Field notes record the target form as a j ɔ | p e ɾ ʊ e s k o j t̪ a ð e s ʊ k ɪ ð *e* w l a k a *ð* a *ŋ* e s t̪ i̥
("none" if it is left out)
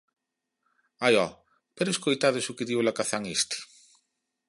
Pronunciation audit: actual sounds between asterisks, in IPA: i, θ, ŋ

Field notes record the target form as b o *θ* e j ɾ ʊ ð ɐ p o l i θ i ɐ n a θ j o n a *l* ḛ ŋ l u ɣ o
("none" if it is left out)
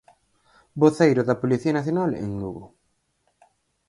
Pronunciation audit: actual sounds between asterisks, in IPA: θ, l

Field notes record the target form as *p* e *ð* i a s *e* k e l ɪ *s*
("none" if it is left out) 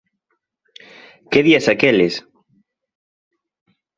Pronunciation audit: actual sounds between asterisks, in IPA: k, ð, a, s

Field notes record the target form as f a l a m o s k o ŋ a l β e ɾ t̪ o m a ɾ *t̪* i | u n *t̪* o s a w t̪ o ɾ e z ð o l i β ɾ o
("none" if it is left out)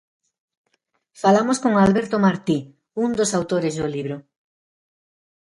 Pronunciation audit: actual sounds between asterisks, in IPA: t̪, d̪

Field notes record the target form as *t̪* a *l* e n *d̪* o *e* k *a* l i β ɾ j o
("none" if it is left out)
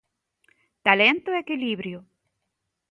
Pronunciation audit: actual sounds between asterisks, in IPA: t̪, l, t̪, e, i

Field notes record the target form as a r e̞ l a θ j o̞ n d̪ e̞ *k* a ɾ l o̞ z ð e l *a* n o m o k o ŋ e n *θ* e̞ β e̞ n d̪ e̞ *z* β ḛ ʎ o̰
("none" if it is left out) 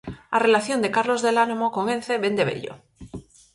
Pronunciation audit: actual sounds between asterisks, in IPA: k, a, θ, none

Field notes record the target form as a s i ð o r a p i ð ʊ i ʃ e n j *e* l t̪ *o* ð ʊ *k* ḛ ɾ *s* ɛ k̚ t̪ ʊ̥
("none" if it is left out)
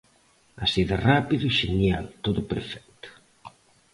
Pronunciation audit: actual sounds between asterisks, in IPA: a, o, p, f

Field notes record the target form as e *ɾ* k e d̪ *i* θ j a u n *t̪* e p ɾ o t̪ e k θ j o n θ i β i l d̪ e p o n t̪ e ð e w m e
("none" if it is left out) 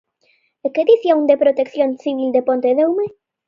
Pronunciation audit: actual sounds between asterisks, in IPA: none, i, d̪

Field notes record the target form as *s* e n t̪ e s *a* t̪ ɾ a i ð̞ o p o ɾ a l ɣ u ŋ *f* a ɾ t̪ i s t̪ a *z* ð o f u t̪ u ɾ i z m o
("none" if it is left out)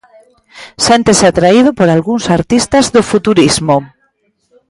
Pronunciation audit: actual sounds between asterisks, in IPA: s, a, s, z

